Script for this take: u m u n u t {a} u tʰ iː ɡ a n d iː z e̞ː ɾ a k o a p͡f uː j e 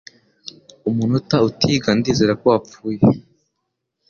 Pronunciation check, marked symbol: correct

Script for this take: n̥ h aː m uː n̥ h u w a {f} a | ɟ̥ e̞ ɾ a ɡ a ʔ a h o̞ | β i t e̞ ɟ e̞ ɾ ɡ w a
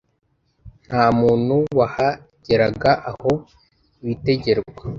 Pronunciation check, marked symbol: incorrect: h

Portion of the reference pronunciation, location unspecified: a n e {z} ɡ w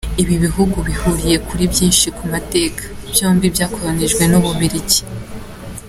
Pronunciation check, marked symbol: incorrect: ʒ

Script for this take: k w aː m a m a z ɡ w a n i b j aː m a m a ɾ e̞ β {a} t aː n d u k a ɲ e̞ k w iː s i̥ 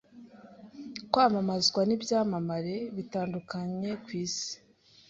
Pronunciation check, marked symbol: incorrect: i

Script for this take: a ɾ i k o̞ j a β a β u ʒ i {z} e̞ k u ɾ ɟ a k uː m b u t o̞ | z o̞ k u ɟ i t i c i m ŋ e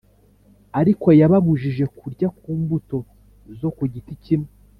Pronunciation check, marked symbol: incorrect: ʒ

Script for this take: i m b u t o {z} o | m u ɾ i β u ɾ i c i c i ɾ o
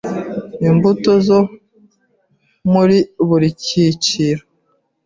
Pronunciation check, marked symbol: correct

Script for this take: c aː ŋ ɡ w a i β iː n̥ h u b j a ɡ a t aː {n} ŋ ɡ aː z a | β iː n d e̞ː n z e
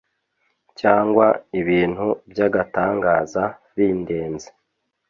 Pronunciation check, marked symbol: incorrect: none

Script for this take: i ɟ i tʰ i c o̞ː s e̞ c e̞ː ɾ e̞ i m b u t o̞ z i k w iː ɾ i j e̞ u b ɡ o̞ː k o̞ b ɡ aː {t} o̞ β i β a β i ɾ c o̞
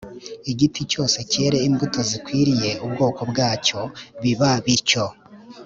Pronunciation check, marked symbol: incorrect: c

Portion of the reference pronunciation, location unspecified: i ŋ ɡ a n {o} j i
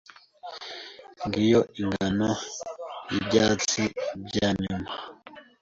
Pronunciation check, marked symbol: correct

